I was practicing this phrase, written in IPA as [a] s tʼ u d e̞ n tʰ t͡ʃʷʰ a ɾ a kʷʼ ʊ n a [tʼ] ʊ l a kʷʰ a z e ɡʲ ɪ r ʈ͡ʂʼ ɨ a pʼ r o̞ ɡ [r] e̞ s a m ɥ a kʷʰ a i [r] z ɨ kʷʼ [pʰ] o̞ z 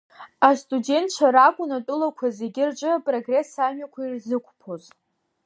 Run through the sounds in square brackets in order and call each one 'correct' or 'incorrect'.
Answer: correct, correct, correct, correct, correct

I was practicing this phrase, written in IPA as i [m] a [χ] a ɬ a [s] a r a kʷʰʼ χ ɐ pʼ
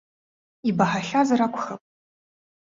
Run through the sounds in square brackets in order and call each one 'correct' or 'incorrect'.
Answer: incorrect, incorrect, incorrect

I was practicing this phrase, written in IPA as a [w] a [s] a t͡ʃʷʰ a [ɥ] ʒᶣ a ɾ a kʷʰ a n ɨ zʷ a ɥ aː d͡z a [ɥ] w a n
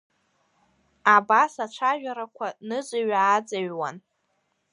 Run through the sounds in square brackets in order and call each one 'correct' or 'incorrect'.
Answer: incorrect, correct, incorrect, correct

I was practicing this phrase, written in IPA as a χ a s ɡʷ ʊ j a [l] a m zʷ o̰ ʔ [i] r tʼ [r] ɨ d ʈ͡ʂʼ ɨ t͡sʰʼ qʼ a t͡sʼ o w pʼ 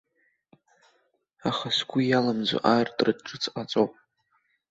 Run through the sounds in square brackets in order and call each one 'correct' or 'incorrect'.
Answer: correct, incorrect, correct

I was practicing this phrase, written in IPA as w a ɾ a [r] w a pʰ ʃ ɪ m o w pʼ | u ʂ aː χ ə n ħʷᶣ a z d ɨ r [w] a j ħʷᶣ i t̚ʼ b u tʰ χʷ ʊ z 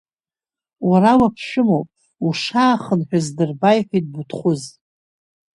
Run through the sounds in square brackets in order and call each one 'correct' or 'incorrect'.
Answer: incorrect, incorrect

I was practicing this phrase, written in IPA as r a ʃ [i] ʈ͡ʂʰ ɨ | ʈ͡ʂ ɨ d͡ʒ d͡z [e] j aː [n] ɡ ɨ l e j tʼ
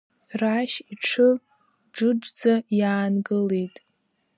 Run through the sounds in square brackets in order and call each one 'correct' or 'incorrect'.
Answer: correct, incorrect, correct

